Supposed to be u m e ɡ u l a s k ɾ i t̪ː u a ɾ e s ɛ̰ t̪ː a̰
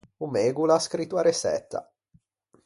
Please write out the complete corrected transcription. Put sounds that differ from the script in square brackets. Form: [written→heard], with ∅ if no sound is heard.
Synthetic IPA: u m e ɡ u l a s k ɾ i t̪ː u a ɾ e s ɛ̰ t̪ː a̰